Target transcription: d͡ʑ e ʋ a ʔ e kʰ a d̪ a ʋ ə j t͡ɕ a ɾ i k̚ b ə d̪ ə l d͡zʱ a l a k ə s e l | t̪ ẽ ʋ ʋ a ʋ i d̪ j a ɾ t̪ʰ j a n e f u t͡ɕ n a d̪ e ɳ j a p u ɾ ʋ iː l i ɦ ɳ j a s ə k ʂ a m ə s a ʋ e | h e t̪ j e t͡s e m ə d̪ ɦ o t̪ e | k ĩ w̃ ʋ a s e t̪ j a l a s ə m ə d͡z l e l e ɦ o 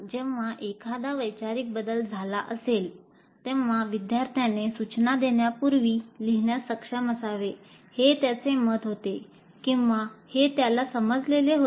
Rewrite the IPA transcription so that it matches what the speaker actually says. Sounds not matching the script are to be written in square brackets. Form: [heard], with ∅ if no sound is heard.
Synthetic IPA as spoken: d͡ʑ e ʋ a ʔ e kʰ a d̪ a ʋ ə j t͡ɕ a ɾ i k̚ b ə d̪ ə l d͡zʱ a l a [ʔ] ə s e l | t̪ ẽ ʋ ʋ a ʋ i d̪ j a ɾ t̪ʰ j a n e [s] u t͡ɕ n a d̪ e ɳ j a p u ɾ ʋ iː l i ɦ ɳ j a s ə k ʂ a m ə s a ʋ e | h e t̪ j [a] t͡s e m ə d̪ ɦ o t̪ e | k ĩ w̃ ʋ a [h] e t̪ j a l a s ə m ə d͡z l e l e ɦ o